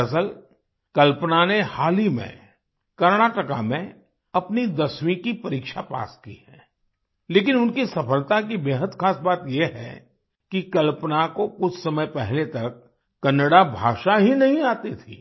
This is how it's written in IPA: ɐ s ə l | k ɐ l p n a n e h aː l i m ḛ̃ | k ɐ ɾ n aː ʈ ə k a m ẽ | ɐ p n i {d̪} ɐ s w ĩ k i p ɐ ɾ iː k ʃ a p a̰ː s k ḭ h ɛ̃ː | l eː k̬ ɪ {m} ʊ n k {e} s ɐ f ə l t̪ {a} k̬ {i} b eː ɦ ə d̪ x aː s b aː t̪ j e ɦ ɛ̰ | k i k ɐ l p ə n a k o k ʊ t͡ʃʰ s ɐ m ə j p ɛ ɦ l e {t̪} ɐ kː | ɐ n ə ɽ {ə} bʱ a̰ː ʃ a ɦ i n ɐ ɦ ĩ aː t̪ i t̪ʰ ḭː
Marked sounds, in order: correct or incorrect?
correct, incorrect: n, incorrect: i, correct, correct, correct, incorrect: a

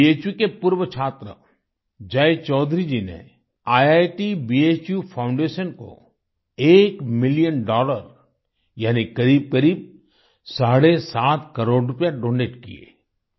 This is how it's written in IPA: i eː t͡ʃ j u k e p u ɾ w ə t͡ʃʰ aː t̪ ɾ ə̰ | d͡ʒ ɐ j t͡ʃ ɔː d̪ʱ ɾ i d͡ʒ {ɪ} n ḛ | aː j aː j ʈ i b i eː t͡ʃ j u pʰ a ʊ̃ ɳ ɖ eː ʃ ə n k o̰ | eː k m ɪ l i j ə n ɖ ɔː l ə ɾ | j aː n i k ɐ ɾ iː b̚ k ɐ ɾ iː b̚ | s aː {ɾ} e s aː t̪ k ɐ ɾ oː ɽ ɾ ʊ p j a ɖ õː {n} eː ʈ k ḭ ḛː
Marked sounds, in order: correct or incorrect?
incorrect: i, incorrect: ɽ, correct

